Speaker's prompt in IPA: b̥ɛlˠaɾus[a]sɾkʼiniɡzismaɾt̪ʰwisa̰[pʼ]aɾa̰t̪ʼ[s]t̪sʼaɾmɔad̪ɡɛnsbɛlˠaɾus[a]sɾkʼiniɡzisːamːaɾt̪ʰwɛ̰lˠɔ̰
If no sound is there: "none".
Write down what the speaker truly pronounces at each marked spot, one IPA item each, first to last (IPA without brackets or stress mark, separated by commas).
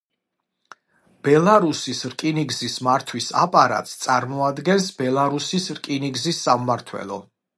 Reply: i, pʼ, s, i